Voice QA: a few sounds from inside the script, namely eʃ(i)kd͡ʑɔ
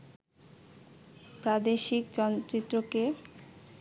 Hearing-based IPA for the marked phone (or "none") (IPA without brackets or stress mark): i